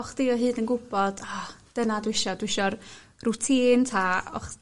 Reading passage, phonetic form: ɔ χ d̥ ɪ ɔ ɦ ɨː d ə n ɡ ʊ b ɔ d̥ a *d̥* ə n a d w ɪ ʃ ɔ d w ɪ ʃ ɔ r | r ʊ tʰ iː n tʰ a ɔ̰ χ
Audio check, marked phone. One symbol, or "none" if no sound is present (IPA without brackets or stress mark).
d̥